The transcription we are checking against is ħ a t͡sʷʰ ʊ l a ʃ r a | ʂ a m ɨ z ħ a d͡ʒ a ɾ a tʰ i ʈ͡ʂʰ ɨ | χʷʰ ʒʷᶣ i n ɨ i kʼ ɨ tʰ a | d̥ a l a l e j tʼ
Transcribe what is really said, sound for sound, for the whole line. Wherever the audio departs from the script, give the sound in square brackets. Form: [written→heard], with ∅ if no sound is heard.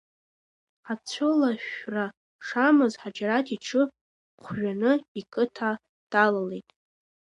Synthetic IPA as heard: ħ a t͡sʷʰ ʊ l a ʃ r a | ʂ a m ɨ z ħ a d͡ʒ a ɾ a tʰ i ʈ͡ʂʰ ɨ | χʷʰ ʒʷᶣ [i→a] n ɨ i kʼ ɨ tʰ a | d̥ a l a l e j tʼ